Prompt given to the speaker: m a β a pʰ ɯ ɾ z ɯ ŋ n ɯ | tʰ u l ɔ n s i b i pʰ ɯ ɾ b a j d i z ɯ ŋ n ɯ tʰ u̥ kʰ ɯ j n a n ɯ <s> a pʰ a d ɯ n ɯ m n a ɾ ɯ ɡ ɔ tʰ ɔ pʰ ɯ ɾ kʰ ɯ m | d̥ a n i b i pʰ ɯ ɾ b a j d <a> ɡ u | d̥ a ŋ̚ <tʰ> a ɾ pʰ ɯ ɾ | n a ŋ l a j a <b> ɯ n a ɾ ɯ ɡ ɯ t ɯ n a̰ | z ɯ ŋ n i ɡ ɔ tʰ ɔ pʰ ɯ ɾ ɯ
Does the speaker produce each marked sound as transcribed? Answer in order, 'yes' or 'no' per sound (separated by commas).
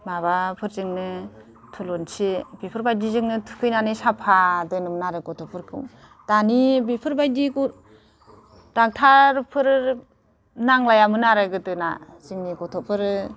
yes, no, yes, no